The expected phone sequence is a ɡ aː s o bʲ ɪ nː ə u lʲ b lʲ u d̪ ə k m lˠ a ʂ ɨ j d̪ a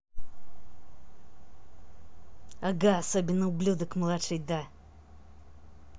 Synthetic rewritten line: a ɡ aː s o bʲ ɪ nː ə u b lʲ u d̪ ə k m lˠ a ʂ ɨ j d̪ a